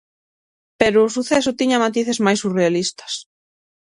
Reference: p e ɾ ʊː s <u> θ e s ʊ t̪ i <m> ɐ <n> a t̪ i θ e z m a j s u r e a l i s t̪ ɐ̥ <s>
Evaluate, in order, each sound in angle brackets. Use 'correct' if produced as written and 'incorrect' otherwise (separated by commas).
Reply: correct, incorrect, incorrect, correct